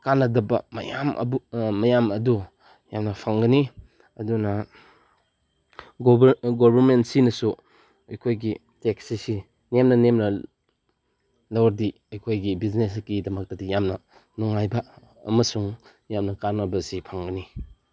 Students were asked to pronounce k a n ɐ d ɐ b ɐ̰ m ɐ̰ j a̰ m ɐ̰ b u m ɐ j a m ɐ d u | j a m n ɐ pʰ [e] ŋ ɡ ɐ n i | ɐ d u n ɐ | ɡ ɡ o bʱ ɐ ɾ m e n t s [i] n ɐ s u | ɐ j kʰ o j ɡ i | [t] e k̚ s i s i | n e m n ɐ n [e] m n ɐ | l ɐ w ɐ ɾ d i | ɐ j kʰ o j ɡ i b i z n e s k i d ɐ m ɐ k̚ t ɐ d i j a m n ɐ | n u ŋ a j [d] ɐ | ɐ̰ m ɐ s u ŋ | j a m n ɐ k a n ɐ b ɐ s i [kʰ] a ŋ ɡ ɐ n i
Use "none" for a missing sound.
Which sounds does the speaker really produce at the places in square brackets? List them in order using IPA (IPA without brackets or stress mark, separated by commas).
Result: a, i, t, e, b, pʰ